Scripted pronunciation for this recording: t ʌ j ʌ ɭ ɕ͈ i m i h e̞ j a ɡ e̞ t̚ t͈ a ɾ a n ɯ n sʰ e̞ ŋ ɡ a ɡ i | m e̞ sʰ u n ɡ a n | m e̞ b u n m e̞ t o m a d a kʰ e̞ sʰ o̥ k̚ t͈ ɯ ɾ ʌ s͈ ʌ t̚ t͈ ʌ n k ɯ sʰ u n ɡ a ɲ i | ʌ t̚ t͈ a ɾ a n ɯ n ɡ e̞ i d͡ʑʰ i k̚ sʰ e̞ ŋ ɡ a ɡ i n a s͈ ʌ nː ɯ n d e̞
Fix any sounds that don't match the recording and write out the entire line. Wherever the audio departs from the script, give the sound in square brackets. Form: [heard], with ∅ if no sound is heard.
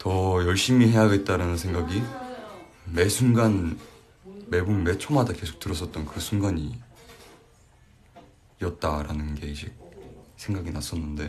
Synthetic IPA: t ʌ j ʌ ɭ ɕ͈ i m i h e̞ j a ɡ e̞ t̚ t͈ a ɾ a n ɯ n sʰ e̞ ŋ ɡ a ɡ i | m e̞ sʰ u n ɡ a n | m e̞ b u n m e̞ [t͡ɕʰ] o m a d a [k] e̞ sʰ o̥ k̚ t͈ ɯ ɾ ʌ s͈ ʌ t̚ t͈ ʌ n k ɯ sʰ u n ɡ a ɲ i | ʌ t̚ t͈ a ɾ a n ɯ n ɡ e̞ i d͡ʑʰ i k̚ sʰ e̞ ŋ ɡ a ɡ i n a s͈ ʌ nː ɯ n d e̞